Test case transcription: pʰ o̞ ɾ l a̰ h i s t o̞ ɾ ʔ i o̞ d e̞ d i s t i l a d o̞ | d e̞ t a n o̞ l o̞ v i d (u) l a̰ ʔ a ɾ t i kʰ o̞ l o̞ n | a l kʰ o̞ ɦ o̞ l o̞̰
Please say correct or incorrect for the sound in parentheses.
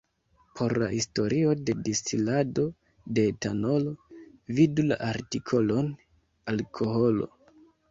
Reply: correct